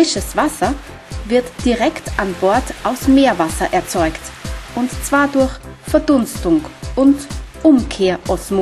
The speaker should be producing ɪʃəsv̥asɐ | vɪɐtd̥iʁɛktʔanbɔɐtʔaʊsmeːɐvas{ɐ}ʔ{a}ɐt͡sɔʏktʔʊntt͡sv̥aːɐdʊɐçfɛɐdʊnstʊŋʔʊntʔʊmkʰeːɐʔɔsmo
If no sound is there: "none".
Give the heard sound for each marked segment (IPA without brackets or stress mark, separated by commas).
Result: ɐ, ɛ